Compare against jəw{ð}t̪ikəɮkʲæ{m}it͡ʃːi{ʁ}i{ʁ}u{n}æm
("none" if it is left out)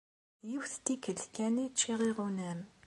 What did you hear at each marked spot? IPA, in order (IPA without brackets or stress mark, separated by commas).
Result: θ, n, ʁ, ʁ, n